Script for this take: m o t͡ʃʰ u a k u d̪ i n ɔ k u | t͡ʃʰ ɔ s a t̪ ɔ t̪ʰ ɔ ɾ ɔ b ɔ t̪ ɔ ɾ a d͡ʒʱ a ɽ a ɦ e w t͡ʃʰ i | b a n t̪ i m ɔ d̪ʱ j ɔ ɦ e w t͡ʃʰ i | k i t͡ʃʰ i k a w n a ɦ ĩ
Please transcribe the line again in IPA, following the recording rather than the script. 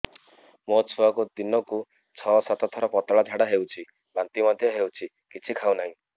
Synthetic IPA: m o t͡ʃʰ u a k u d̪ i n ɔ k u | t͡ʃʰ ɔ s a t̪ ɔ t̪ʰ ɔ ɾ ɔ p ɔ t̪ ɔ ɭ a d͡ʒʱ a ɽ a ɦ e w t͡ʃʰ i | b a n t̪ i m ɔ d̪ʱ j ɔ ɦ e w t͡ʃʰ i | k i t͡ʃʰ i kʰ a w n a ɦ ĩ